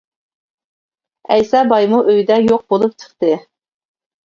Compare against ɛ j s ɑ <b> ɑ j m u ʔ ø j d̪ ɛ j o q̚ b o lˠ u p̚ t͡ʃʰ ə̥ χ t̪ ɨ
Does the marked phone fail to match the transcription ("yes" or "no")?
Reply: no